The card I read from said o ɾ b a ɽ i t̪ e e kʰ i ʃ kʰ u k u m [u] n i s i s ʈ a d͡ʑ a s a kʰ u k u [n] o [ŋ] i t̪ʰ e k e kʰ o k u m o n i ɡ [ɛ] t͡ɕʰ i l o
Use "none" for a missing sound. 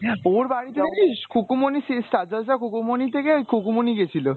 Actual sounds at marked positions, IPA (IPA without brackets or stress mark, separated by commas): o, m, n, e